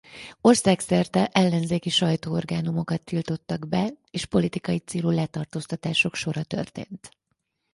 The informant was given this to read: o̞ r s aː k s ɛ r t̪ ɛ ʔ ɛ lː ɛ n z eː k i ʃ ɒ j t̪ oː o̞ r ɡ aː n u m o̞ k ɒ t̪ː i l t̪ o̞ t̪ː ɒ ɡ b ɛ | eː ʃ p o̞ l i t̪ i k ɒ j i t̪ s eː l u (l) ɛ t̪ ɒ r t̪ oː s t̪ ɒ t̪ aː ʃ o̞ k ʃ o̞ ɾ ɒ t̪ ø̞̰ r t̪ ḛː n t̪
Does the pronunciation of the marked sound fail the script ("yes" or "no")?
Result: no